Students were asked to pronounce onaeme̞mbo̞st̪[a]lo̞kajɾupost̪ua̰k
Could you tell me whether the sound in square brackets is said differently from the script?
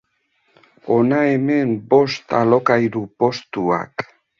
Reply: no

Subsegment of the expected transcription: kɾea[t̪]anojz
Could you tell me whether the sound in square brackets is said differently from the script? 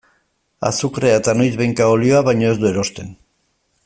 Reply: no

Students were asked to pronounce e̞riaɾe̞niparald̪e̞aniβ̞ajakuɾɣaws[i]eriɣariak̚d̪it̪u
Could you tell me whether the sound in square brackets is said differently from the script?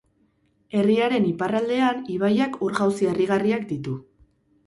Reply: no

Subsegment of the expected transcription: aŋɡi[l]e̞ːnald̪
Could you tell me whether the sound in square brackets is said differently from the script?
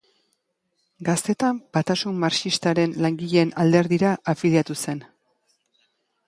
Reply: yes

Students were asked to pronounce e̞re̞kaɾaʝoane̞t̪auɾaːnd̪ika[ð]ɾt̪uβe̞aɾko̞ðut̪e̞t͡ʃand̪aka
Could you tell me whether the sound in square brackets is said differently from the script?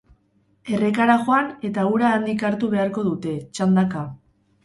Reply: yes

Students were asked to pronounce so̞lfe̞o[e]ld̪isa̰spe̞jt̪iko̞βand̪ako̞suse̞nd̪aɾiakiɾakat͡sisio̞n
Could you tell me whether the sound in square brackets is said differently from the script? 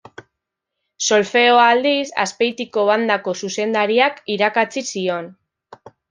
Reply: yes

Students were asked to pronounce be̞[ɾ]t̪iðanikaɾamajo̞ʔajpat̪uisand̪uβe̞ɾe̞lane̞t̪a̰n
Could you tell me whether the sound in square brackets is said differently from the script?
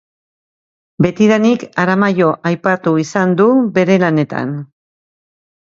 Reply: yes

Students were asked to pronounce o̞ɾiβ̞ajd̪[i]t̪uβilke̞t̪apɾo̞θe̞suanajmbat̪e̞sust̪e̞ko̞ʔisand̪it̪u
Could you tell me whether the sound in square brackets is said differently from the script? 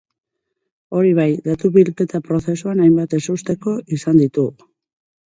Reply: yes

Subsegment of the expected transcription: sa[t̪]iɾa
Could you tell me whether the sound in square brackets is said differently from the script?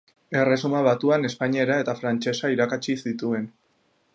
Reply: yes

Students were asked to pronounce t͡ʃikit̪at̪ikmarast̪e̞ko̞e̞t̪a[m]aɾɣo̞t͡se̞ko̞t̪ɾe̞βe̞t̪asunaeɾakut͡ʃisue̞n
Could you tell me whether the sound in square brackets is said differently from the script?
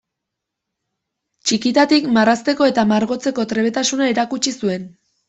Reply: no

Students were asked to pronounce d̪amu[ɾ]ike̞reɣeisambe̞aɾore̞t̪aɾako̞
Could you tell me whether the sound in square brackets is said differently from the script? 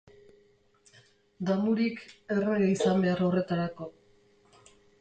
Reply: no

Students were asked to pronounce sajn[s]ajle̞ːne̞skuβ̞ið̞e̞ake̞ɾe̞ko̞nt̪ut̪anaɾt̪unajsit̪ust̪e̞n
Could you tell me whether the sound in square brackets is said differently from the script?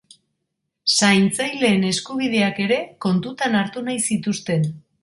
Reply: yes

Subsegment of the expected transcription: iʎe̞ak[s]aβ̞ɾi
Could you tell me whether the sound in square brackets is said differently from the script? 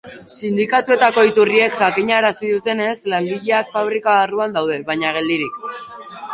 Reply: yes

